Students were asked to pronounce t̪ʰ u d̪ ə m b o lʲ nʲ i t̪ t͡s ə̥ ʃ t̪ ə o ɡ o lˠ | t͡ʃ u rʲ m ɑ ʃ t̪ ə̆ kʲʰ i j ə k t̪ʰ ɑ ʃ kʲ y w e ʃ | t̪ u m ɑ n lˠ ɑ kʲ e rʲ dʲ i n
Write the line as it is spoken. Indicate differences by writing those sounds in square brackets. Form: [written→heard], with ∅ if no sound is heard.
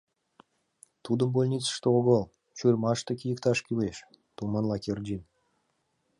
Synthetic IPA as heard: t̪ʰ u d̪ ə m b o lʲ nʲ i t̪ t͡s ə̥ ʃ t̪ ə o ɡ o lˠ | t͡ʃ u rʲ m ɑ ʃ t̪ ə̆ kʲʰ i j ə k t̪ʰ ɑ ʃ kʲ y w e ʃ | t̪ u m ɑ n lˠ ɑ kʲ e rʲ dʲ i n